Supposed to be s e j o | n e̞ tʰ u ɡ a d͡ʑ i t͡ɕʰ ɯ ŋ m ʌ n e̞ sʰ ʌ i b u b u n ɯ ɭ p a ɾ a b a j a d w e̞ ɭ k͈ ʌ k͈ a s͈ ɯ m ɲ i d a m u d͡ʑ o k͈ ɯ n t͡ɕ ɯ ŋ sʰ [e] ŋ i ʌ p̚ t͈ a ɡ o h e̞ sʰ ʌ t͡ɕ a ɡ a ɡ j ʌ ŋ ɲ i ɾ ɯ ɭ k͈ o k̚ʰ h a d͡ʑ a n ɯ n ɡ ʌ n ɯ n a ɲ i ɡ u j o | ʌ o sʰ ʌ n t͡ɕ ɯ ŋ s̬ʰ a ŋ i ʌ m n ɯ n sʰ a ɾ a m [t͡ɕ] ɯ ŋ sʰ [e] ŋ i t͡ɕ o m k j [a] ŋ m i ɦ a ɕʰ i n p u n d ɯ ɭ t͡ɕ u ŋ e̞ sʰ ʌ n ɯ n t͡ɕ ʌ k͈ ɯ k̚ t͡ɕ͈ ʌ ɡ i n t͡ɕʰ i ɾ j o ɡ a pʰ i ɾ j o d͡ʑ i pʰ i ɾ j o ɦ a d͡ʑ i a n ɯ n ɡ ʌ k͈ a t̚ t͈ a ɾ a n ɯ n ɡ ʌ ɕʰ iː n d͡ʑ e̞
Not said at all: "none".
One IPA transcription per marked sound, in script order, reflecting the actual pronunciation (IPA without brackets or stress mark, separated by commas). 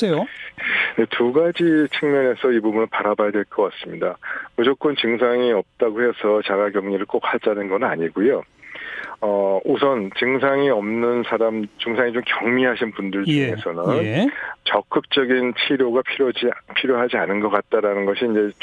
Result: a, t͡ɕ, a, ʌ